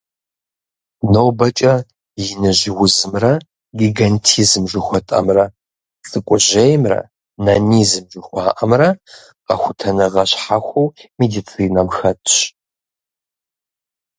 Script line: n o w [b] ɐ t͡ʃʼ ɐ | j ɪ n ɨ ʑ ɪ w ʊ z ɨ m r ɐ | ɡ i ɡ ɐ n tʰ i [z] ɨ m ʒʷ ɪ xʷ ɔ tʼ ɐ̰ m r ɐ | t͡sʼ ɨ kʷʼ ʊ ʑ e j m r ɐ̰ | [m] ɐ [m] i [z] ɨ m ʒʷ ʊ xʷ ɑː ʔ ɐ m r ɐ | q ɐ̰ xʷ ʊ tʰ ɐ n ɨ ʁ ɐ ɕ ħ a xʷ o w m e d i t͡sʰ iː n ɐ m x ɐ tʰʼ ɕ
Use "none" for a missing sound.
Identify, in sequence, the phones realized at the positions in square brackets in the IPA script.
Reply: b, z, n, n, z

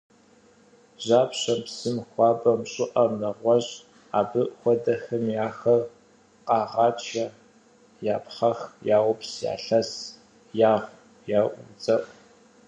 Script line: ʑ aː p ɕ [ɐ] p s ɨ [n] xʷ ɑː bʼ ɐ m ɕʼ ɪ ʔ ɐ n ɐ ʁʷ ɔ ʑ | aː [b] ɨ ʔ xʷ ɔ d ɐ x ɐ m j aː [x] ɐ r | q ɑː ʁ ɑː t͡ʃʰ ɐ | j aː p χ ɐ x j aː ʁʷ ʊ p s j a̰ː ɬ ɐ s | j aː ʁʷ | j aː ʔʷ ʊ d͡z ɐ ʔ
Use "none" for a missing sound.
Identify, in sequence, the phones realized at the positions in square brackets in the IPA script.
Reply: ɐ, m, b, x

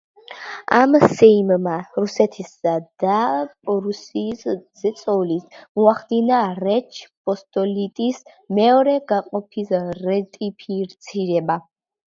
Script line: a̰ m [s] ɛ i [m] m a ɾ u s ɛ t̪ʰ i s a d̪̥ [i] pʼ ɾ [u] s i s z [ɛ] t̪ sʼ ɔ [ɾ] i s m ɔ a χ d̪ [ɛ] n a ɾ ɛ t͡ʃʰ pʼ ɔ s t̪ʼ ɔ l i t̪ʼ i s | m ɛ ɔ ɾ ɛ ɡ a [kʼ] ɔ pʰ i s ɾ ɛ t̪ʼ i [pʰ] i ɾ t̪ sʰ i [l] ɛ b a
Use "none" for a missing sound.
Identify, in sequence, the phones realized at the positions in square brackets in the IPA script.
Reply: s, m, a, u, ɛ, l, i, qʼ, pʰ, ɾ

